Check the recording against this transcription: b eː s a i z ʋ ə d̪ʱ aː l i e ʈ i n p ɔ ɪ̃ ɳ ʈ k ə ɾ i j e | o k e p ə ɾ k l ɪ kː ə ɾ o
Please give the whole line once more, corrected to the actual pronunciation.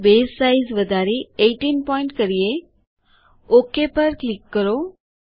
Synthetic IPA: b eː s a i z ʋ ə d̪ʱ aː ɾ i e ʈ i n p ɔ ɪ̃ ɳ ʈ k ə ɾ i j e | o k e p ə ɾ k l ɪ kː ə ɾ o